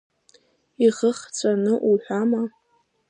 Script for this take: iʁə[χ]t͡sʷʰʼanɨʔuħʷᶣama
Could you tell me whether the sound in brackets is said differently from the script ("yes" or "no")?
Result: no